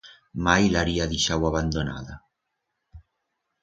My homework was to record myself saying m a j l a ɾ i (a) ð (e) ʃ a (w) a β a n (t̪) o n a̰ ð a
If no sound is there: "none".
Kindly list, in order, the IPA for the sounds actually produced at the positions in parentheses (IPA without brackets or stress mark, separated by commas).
a, i, w, d̪